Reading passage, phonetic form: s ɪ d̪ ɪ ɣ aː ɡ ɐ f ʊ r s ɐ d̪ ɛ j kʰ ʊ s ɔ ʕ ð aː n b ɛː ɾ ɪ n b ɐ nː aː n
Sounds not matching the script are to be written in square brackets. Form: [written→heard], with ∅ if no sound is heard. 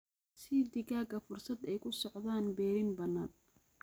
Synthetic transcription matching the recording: s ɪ d̪ ɪ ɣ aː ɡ ɐ f ʊ r s ɐ d̪ ɛ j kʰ ʊ s ɔ ʕ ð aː n b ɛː ɾ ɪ n b ɐ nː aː n

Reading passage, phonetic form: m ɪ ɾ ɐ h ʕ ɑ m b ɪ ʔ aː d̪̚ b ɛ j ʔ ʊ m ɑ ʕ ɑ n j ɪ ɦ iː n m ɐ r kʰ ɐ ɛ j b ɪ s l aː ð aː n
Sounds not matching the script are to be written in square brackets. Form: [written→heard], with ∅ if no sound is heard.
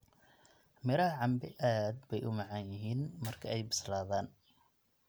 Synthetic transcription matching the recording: m ɪ ɾ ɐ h ʕ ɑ m b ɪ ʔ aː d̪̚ b ɛ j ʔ ʊ m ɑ ʕ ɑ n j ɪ ɦ iː n m ɐ r kʰ ɐ ɛ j b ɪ s l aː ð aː n

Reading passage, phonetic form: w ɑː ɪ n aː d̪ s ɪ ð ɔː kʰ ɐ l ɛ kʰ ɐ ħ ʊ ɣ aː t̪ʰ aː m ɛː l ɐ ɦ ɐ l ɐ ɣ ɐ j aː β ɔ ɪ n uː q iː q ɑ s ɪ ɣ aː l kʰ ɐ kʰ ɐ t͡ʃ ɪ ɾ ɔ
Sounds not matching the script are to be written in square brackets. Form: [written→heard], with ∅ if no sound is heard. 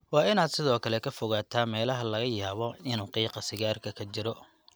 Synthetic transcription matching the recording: w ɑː ɪ n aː d̪ s ɪ ð ɔː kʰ ɐ l ɛ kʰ ɐ [ħ→f] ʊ ɣ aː t̪ʰ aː m ɛː l ɐ ɦ ɐ l ɐ ɣ ɐ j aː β ɔ ɪ n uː q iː q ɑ s ɪ ɣ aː [l→r] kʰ ɐ kʰ ɐ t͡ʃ ɪ ɾ ɔ

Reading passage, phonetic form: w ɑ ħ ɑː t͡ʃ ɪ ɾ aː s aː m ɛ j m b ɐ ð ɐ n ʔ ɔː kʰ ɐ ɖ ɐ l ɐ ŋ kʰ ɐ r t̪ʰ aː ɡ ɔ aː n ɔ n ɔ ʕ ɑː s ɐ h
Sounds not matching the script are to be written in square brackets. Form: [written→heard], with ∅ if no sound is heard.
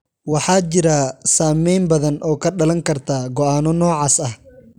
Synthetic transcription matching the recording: w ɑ ħ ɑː t͡ʃ ɪ ɾ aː s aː m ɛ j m b ɐ ð ɐ n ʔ ɔː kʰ ɐ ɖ ɐ l ɐ ŋ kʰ ɐ r t̪ʰ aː ɡ ɔ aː n ɔ n [ɔ→ɔː] ʕ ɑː s ɐ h

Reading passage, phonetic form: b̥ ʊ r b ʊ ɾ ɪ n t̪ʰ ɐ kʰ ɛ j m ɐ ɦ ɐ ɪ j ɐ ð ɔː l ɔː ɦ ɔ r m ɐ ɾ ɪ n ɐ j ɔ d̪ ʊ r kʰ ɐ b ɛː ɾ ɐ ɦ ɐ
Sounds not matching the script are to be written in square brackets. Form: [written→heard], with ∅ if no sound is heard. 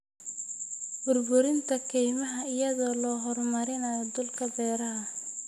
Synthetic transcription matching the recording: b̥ ʊ r b ʊ ɾ ɪ n t̪ʰ ɐ kʰ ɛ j m ɐ ɦ ɐ ɪ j ɐ ð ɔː l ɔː ɦ ɔ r m ɐ ɾ ɪ n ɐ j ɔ d̪ ʊ [r→l] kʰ ɐ b ɛː ɾ ɐ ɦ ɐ

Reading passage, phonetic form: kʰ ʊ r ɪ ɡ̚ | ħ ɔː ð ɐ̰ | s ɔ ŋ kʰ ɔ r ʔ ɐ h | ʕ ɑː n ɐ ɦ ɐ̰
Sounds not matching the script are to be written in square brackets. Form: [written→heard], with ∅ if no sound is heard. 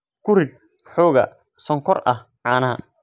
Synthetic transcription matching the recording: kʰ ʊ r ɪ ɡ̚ | ħ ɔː [ð→ɣ] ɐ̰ | s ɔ ŋ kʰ ɔ r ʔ ɐ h | ʕ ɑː n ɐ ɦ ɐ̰

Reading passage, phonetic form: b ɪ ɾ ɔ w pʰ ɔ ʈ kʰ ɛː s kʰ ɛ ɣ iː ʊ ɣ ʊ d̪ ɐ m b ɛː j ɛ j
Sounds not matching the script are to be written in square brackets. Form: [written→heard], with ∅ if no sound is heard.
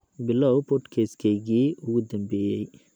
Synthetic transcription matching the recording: b ɪ [ɾ→l] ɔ w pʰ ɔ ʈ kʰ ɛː s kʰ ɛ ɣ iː ʊ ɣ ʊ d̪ ɐ m b ɛː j ɛ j

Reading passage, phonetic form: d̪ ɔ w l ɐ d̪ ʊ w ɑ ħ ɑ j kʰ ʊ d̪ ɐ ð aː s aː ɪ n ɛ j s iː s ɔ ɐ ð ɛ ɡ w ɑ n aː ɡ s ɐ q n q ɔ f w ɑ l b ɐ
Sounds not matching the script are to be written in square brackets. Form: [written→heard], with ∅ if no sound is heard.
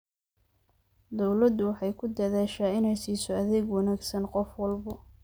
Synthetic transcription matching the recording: d̪ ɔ w l ɐ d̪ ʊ w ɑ ħ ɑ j kʰ ʊ d̪ ɐ ð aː [s→ʃ] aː ɪ n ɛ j s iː s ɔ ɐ ð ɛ ɡ w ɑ n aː ɡ s ɐ [q→∅] n q ɔ f w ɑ l b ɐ

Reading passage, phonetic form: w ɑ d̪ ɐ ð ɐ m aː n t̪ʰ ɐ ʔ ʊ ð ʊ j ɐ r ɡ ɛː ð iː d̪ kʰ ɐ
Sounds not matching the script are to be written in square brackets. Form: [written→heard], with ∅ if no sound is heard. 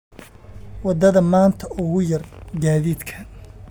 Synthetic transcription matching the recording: w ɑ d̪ ɐ ð ɐ m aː n t̪ʰ ɐ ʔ ʊ [ð→ɣ] ʊ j ɐ r ɡ [ɛː→aː] ð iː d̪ kʰ ɐ

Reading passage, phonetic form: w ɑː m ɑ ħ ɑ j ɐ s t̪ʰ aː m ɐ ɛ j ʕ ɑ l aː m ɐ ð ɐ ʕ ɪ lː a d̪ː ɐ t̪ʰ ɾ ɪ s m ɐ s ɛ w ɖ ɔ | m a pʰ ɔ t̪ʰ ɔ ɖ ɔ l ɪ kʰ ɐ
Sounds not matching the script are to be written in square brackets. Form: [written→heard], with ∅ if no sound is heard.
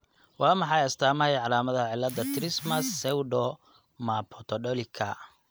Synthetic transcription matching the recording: w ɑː m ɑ ħ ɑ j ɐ s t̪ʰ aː m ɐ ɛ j ʕ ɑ l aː m ɐ ð ɐ ʕ ɪ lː [a→ɐ] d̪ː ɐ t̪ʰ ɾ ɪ s m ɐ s ɛ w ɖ ɔ | m a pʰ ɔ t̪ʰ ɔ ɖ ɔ l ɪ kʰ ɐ

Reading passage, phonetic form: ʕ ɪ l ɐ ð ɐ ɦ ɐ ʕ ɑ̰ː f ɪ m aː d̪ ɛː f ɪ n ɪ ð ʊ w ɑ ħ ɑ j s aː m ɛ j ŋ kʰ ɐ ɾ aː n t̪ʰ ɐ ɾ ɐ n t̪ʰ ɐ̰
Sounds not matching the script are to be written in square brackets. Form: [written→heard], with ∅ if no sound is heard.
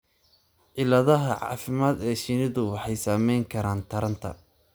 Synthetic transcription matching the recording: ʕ ɪ l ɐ ð ɐ ɦ ɐ ʕ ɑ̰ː f ɪ m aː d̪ ɛː [f→ʃ] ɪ n ɪ ð ʊ w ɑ ħ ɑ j s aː m ɛ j ŋ kʰ ɐ ɾ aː n t̪ʰ ɐ ɾ ɐ n t̪ʰ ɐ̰

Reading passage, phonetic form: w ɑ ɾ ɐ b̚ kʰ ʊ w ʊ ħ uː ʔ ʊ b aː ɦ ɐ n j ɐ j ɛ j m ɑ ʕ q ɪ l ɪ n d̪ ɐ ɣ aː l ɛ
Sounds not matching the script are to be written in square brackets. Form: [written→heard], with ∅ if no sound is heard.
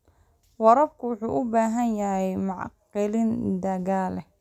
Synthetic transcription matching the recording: w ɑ ɾ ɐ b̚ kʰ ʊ w ʊ ħ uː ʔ ʊ b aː ɦ ɐ n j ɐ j ɛ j m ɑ ʕ q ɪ l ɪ n d̪ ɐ ɣ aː l ɛ

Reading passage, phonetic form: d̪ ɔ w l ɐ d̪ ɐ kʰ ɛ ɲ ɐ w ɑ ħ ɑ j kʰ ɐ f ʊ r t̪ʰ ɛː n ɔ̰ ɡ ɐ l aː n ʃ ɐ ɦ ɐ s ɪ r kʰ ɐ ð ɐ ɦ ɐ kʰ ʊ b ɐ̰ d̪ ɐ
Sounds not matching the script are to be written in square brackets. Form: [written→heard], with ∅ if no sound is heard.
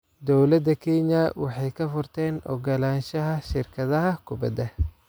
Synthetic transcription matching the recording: d̪ ɔ w l ɐ d̪ ɐ kʰ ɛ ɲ ɐ w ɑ ħ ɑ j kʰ ɐ f ʊ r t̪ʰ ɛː n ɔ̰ ɡ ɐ l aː n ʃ ɐ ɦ ɐ [s→ʃ] ɪ r kʰ ɐ ð ɐ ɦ ɐ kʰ ʊ b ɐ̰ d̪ ɐ

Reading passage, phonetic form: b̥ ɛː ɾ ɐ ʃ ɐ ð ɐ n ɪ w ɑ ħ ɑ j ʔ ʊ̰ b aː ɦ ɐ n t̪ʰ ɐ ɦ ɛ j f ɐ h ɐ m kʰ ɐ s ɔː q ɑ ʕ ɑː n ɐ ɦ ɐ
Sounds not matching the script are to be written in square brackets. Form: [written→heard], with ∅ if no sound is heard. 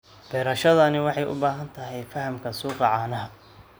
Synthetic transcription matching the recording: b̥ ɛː ɾ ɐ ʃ ɐ ð ɐ n ɪ w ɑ ħ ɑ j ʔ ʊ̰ b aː ɦ ɐ n t̪ʰ ɐ ɦ ɛ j f ɐ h ɐ m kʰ ɐ s [ɔː→uː] q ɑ ʕ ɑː n ɐ ɦ ɐ

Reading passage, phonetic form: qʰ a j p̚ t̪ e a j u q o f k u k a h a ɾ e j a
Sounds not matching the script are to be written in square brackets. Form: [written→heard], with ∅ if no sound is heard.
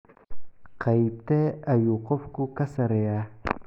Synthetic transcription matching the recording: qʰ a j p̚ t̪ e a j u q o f k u k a [h→s] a ɾ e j a

